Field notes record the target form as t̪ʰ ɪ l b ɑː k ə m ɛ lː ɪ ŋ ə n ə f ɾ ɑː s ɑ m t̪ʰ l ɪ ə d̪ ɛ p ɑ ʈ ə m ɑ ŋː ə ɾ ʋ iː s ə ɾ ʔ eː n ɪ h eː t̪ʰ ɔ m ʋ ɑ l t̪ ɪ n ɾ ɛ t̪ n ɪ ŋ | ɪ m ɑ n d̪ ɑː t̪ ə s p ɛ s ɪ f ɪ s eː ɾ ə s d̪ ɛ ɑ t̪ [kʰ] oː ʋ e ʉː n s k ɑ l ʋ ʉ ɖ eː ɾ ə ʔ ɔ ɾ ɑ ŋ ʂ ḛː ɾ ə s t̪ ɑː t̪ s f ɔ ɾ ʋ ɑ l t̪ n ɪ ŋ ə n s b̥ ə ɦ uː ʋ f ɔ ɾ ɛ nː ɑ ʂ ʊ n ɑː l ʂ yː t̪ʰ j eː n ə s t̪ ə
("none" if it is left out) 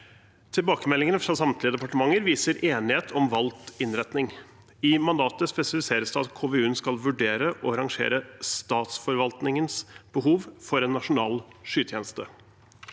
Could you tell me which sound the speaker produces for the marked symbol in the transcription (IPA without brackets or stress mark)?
kʰ